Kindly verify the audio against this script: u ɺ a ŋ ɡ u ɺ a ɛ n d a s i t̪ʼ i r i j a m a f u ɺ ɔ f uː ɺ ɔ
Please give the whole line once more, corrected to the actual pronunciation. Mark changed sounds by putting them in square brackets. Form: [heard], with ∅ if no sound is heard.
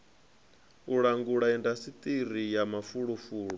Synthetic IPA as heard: u ɺ a ŋ ɡ u ɺ a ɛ n d a s i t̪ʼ i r i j a m a f u ɺ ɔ f uː ɺ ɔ